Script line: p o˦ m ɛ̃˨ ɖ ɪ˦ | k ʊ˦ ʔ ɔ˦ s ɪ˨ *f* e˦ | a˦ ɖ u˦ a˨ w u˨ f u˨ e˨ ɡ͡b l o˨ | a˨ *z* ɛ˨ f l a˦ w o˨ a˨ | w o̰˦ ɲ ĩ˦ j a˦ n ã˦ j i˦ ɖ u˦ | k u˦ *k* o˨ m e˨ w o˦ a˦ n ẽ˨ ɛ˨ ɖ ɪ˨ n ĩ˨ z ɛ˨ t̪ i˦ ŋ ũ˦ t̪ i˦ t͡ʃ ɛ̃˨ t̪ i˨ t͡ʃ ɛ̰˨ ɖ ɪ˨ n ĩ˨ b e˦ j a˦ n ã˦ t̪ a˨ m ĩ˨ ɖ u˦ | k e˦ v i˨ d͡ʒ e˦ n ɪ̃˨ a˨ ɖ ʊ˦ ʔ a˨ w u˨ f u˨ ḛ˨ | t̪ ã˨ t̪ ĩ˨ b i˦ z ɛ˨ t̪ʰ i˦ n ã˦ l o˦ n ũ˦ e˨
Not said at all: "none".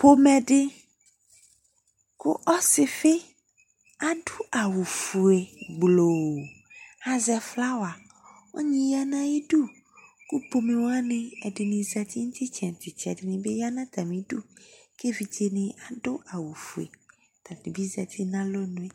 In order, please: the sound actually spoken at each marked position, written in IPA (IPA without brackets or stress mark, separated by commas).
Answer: f, z, p